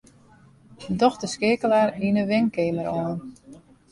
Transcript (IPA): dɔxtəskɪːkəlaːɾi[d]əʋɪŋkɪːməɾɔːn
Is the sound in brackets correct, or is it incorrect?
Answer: incorrect